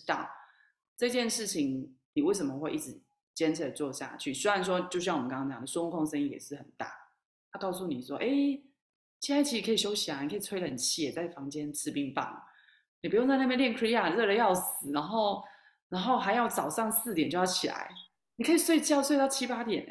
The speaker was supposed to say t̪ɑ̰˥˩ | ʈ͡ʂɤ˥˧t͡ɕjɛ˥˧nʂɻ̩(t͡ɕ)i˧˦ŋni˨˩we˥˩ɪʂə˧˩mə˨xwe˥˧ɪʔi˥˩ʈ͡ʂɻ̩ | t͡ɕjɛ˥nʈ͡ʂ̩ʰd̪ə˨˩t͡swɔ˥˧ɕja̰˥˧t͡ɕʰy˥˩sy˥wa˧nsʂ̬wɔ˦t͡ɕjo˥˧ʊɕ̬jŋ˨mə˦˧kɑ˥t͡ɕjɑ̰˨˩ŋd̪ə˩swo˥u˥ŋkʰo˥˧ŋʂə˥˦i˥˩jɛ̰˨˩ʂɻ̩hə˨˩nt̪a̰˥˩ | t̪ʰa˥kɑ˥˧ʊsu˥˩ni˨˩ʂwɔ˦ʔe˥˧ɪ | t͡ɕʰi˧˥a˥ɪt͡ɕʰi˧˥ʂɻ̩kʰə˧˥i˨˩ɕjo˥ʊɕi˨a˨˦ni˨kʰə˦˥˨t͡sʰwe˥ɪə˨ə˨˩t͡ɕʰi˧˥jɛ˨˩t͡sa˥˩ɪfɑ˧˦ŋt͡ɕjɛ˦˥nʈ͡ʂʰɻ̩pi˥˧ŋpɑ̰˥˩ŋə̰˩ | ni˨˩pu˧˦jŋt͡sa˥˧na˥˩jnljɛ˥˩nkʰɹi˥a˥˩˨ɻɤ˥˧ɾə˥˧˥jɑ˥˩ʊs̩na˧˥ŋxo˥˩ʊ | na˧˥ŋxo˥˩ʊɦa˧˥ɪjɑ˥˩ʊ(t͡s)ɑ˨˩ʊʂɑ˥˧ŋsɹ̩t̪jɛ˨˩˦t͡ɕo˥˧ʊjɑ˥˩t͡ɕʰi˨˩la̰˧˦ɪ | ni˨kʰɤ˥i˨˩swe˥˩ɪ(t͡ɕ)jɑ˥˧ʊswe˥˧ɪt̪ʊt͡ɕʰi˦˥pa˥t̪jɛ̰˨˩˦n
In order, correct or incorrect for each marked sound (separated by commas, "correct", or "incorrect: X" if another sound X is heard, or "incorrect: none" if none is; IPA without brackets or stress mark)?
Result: incorrect: t͡ɕʰ, correct, correct